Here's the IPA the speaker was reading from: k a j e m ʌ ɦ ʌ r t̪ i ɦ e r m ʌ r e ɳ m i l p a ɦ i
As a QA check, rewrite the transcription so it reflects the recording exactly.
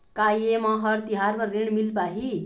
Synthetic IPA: k a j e m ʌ ɦ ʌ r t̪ i ɦ a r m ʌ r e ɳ m i l p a ɦ i